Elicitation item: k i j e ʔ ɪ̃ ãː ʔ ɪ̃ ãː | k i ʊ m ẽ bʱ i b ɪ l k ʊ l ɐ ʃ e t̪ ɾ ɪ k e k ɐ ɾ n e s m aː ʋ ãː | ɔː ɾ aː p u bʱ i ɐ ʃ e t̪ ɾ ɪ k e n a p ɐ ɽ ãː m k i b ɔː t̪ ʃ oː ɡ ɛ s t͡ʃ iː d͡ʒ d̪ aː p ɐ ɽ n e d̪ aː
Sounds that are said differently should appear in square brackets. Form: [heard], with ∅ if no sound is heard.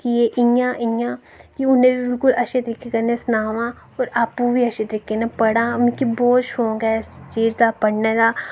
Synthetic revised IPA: k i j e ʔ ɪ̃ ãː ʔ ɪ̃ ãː | k i ʊ [n] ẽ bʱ i b ɪ l k ʊ l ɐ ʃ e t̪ ɾ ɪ k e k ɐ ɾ n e s [n] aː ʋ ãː | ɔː ɾ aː p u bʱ i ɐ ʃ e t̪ ɾ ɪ k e n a p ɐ ɽ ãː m k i b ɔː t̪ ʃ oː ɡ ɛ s t͡ʃ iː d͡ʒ d̪ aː p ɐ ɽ n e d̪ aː